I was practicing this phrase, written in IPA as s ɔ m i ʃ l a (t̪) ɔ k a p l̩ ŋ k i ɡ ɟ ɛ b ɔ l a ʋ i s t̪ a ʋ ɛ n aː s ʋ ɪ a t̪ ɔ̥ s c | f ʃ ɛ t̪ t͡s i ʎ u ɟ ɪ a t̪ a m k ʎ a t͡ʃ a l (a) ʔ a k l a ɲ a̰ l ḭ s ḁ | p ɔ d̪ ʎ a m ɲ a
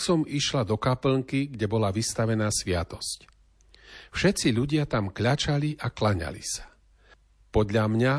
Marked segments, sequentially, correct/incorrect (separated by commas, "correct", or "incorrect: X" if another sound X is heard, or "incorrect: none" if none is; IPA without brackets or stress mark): incorrect: d̪, incorrect: i